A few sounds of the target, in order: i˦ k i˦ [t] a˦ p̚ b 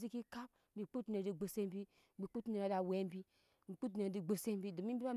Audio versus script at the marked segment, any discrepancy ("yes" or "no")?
yes